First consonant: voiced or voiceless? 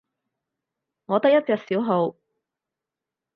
voiced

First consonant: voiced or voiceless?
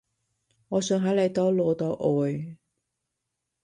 voiced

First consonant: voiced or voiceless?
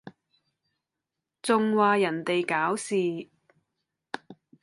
voiceless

